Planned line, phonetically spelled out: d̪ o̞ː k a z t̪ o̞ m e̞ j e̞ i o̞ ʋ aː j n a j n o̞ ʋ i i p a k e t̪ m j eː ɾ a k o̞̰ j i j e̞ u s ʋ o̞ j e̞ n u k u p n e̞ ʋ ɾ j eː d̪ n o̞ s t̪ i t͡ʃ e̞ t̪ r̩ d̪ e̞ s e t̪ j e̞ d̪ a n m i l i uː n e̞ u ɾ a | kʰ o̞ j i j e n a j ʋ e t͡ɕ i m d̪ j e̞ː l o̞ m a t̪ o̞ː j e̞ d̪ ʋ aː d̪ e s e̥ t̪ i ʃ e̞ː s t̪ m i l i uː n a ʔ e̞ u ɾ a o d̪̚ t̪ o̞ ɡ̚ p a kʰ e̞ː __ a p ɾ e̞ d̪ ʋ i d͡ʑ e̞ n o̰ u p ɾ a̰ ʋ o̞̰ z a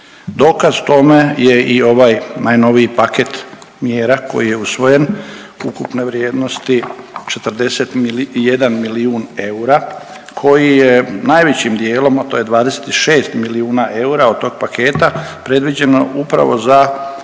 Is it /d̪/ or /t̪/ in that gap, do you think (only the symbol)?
t̪